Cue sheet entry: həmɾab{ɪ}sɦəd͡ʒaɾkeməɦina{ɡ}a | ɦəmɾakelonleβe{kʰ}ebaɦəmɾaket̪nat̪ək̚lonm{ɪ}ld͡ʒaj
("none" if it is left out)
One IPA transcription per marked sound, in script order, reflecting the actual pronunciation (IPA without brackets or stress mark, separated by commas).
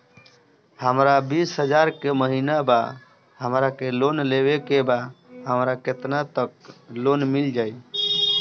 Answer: i, b, k, i